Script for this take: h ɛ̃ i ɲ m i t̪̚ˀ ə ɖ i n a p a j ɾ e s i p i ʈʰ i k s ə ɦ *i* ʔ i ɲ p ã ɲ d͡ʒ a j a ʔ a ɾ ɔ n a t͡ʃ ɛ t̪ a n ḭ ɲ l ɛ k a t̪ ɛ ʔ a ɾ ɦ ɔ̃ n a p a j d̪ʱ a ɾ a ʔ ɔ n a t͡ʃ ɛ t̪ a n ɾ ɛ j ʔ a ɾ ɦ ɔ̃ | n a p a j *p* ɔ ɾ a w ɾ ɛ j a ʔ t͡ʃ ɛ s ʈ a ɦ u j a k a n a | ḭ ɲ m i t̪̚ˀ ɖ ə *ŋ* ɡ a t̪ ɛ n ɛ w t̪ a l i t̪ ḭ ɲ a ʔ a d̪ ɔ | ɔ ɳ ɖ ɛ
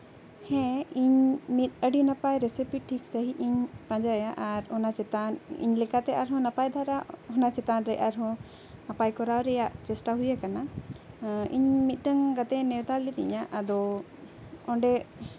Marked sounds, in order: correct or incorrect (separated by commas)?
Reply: correct, incorrect, correct